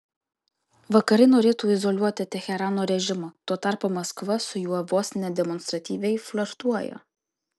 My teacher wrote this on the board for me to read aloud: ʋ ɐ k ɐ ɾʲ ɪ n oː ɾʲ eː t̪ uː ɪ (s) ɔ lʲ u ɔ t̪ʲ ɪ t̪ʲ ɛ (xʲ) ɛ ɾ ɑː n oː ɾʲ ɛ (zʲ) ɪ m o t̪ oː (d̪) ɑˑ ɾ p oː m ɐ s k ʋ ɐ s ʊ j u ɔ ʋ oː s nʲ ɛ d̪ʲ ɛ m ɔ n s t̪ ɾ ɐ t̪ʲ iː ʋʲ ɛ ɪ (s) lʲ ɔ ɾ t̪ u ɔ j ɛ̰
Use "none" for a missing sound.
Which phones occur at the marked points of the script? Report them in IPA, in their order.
z, xʲ, ʒʲ, t̪, f

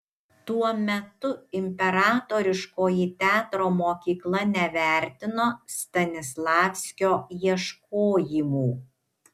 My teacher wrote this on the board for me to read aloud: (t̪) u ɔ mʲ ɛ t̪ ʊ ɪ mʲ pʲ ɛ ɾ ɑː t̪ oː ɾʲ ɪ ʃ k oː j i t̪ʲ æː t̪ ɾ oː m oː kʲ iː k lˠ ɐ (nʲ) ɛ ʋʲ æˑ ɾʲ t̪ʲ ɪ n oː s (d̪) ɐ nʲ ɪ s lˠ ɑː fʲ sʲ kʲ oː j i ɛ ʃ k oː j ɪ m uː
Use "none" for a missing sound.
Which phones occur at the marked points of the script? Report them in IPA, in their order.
t̪, nʲ, t̪

